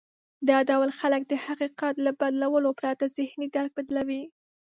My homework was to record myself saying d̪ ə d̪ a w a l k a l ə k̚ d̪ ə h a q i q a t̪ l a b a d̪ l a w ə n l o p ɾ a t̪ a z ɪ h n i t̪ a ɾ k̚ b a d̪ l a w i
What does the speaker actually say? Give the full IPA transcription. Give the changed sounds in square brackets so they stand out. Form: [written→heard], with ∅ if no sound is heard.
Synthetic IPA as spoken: d̪ [ə→ɑ] d̪ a w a l [k→x] a l ə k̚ d̪ ə h a q i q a t̪ l a b a d̪ l a w ə [n→∅] l o p ɾ [a→ɑ] t̪ a z ɪ h n i [t̪→d̪] a ɾ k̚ b a d̪ l a w i